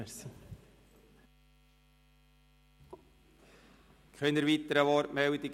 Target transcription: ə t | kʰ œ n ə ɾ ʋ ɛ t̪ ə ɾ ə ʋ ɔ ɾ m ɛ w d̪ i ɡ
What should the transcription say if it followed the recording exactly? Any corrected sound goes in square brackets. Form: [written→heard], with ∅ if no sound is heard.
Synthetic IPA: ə [t→s] | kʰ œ n ə ɾ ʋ [ɛ→i] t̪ ə ɾ ə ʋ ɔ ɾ m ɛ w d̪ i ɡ